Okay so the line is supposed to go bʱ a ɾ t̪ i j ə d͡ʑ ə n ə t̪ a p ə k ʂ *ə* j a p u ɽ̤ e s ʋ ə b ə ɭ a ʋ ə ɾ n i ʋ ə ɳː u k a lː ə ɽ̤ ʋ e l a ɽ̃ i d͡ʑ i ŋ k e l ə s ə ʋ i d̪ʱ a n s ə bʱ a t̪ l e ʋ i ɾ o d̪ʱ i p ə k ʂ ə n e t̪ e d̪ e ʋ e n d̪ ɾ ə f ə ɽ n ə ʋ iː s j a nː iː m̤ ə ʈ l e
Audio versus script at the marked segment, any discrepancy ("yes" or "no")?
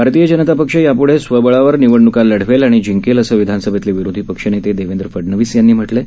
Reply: no